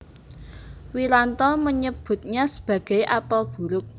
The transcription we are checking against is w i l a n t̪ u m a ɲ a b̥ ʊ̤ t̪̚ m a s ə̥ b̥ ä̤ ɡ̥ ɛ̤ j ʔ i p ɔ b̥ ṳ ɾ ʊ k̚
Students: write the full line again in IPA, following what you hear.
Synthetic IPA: w i l a n t̪ ɔ m ə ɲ ə b̥ ʊ̤ t̪̚ ɲ a s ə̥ b̥ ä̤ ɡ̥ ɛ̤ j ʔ a p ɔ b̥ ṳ ɾ ʊ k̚